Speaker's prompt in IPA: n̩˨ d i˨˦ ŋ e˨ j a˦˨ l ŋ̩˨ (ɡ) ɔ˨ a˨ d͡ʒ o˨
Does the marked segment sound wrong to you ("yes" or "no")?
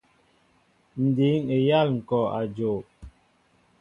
yes